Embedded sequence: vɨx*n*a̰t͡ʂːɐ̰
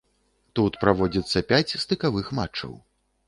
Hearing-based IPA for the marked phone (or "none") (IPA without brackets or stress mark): m